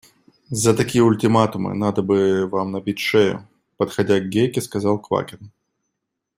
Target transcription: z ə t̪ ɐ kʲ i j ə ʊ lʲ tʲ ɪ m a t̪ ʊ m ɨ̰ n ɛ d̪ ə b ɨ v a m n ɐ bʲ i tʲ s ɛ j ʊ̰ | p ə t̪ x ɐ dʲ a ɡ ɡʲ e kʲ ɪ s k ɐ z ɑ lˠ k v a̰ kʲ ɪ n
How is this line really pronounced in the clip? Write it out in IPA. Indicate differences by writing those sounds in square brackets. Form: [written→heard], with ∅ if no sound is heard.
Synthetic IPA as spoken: z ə t̪ ɐ kʲ i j ə ʊ lʲ tʲ ɪ m a t̪ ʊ m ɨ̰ n [ɛ→a] d̪ ə b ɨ v a m n ɐ bʲ i tʲ [s→ʂ] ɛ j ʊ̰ | p ə t̪ x ɐ dʲ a ɡ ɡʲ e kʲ ɪ s k ɐ z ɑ lˠ k v a̰ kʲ ɪ n